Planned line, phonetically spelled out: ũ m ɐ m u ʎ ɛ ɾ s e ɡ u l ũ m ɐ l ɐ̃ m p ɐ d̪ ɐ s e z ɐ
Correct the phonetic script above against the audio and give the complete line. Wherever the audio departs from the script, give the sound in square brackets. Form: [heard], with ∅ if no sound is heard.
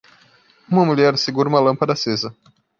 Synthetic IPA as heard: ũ m ɐ m u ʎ ɛ ɾ s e ɡ u [ɾ] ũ m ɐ l ɐ̃ m p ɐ d̪ ɐ s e z ɐ